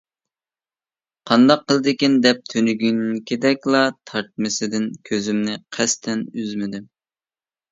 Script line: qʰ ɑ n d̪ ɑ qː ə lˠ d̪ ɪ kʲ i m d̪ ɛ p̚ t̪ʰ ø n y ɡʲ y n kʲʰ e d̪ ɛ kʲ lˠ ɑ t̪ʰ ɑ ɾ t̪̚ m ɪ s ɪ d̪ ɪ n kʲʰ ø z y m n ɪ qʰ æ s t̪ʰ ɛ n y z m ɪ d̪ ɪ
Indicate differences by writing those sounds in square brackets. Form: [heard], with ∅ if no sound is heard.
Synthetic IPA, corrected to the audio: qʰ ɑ n d̪ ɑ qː ə lˠ d̪ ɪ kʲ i [n] d̪ ɛ p̚ t̪ʰ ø n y ɡʲ y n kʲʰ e d̪ ɛ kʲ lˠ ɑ t̪ʰ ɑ ɾ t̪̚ m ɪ s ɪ d̪ ɪ n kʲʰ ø z y m n ɪ qʰ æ s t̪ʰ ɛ n y z m ɪ d̪ ɪ

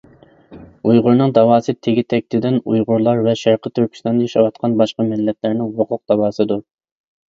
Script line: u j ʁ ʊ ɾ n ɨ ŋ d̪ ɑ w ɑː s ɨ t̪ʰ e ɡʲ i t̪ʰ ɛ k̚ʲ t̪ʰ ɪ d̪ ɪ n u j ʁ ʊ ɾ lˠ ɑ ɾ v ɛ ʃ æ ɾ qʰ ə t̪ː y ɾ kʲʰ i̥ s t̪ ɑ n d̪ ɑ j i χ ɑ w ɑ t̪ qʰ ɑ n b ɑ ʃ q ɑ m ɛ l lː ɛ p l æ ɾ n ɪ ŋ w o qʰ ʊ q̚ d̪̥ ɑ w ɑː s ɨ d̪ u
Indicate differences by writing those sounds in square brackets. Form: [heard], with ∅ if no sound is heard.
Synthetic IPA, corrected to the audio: u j ʁ ʊ ɾ n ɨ ŋ d̪ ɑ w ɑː s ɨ t̪ʰ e ɡʲ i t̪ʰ ɛ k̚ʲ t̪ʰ ɪ d̪ ɪ n u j ʁ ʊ ɾ lˠ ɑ ɾ v ɛ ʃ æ ɾ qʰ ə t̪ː y ɾ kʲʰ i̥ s t̪ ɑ n d̪ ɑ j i [ʃ] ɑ w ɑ t̪ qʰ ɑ n b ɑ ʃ q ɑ m ɛ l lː ɛ p l æ ɾ n ɪ ŋ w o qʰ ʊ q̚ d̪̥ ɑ w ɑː s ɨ d̪ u

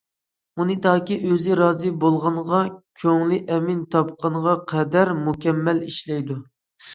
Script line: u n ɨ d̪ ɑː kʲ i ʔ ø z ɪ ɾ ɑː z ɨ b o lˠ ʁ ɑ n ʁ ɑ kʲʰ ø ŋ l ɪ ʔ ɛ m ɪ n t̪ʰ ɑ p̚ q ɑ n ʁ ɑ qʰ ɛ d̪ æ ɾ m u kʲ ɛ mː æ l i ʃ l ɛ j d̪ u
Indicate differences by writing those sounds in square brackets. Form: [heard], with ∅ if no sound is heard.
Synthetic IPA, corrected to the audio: u n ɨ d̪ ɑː kʲ i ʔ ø z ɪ ɾ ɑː z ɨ b o lˠ ʁ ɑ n ʁ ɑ kʲʰ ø ŋ l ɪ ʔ ɛ m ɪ n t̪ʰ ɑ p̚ q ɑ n ʁ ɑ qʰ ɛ d̪ æ ɾ m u kʲ ɛ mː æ l i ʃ l ɛ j d̪ u

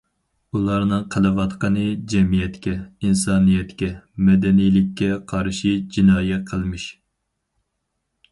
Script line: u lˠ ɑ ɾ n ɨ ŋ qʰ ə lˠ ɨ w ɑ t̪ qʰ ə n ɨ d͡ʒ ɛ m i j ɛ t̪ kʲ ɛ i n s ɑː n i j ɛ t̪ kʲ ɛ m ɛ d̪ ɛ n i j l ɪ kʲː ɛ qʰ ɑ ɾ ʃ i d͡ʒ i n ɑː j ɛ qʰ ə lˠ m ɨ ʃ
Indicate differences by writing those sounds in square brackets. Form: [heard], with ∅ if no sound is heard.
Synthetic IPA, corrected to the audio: u lˠ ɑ ɾ n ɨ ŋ qʰ ə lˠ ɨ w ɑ t̪ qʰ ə n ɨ d͡ʒ ɛ m i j ɛ t̪ kʲ ɛ i n s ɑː n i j ɛ t̪ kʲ ɛ m ɛ d̪ ɛ n i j l ɪ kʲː ɛ qʰ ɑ ɾ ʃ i d͡ʒ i n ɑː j ɛ qʰ ə lˠ m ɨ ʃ

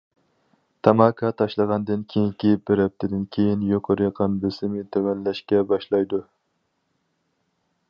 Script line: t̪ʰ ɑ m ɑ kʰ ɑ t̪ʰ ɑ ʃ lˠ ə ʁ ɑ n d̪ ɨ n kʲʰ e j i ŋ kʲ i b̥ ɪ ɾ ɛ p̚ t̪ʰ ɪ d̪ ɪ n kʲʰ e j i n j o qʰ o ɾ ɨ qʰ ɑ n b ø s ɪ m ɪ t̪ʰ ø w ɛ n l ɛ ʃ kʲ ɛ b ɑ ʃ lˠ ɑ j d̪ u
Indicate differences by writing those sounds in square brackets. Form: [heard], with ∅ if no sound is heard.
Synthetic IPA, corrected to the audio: t̪ʰ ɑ m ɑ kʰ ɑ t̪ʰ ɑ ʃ lˠ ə ʁ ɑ n d̪ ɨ n kʲʰ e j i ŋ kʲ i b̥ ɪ ɾ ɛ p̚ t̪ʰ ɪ d̪ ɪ n kʲʰ e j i n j o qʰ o ɾ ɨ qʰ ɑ n b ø s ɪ m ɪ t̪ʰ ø w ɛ n l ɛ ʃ kʲ ɛ b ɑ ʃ lˠ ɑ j d̪ u

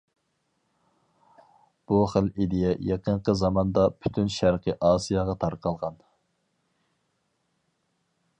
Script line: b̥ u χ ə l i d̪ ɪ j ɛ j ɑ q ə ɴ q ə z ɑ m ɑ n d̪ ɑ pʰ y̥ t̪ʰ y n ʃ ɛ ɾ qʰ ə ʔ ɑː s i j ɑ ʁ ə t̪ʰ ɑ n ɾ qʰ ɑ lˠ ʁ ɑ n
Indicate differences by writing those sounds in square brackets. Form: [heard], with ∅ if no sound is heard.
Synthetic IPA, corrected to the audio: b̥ u χ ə l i d̪ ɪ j ɛ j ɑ q ə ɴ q ə z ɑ m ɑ n d̪ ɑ pʰ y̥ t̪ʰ y n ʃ [æ] ɾ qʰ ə ʔ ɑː s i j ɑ ʁ [ɑ] t̪ʰ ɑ [∅] ɾ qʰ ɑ lˠ ʁ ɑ n

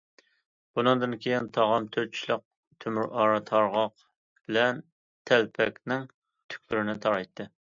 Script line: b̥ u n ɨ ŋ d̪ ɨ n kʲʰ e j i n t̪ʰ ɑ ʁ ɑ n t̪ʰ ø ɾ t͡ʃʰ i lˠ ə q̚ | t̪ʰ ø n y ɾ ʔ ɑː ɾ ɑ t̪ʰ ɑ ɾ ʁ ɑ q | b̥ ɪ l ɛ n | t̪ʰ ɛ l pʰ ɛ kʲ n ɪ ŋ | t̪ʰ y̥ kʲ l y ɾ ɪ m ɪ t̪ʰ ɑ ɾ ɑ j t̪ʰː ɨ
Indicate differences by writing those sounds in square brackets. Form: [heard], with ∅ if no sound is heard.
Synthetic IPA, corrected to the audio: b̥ u n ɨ ŋ d̪ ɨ n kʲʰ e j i n t̪ʰ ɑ ʁ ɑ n t̪ʰ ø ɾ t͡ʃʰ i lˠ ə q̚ | t̪ʰ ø [m] y ɾ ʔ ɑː ɾ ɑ t̪ʰ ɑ ɾ ʁ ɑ q | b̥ ɪ l ɛ n | t̪ʰ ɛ l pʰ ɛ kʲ n ɪ ŋ | t̪ʰ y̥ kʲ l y ɾ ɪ [n] ɪ t̪ʰ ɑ ɾ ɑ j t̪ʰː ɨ

